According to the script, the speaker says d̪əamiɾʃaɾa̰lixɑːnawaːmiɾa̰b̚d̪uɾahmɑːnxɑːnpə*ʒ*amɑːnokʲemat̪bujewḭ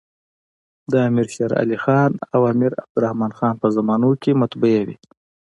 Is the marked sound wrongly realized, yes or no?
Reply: yes